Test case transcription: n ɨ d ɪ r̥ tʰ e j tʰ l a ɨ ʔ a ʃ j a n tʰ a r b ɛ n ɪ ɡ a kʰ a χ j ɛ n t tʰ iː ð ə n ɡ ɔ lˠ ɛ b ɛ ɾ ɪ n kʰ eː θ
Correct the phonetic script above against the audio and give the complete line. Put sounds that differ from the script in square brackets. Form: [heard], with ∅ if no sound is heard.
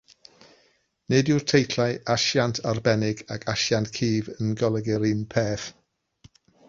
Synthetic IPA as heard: n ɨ d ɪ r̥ tʰ e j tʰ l a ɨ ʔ a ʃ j a n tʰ a r b ɛ n ɪ ɡ a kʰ a [ʃ] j [a] n t [kʰ] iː [v] ə n ɡ ɔ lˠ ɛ [ɡ] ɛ ɾ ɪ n [pʰ] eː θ